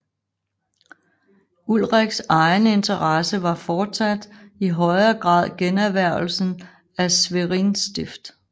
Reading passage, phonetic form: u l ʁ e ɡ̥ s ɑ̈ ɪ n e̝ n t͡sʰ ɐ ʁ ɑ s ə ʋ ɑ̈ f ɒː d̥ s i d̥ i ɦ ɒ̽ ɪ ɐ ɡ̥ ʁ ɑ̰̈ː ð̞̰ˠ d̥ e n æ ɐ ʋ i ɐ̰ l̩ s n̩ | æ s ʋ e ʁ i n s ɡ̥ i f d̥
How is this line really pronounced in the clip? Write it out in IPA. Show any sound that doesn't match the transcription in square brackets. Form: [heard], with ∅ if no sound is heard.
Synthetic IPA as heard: u l ʁ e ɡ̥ s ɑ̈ ɪ n e̝ n t͡sʰ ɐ ʁ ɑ s ə ʋ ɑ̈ f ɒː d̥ s [æ] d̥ i ɦ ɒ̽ ɪ ɐ ɡ̥ ʁ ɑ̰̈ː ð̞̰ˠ [ɡ̥] e n æ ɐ ʋ [æ] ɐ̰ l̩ s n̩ | æ s ʋ e ʁ i n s [d̥] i f d̥